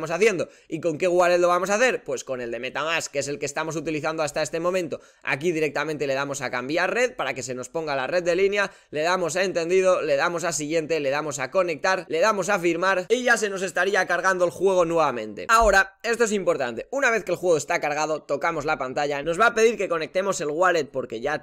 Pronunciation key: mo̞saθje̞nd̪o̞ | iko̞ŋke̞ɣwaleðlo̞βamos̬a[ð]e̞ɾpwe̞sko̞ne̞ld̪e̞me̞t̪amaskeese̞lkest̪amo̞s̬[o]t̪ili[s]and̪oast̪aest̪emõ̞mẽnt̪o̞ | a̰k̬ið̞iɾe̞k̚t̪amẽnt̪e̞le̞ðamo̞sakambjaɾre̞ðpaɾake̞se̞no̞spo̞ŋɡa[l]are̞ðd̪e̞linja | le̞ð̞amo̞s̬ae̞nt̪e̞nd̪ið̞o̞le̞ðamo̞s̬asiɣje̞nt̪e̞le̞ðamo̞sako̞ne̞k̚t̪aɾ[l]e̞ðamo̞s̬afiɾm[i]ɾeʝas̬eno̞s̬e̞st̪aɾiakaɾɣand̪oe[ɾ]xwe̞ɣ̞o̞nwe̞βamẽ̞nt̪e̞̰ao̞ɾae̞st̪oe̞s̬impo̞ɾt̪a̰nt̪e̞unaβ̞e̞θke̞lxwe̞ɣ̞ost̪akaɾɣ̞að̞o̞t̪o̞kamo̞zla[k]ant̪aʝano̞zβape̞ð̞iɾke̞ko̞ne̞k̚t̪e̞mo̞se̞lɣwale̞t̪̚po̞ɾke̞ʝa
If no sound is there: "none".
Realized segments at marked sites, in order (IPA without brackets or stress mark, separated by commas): θ, u, θ, l, l, a, l, p